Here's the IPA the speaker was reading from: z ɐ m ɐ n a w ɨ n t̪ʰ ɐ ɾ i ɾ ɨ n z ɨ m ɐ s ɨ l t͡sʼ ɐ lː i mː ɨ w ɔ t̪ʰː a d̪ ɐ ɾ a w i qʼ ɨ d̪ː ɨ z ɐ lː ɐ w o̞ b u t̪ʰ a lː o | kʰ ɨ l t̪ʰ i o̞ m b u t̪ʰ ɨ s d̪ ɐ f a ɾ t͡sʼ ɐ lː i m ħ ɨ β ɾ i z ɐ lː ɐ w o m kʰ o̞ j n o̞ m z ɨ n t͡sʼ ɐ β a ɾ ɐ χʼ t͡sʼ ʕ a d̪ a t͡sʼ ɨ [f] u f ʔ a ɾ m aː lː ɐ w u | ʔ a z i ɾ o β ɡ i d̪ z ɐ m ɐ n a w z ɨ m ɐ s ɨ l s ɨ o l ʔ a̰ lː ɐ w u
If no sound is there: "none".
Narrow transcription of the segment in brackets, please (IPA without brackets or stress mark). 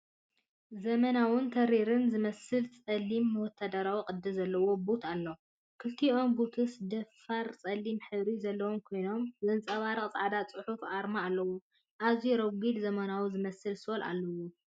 ħ